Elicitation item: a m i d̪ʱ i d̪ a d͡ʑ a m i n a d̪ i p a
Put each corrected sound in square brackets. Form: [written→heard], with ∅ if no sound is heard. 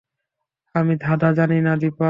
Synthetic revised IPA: a m i d̪ʱ [i→a] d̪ a d͡ʑ a [m→n] i n a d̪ i p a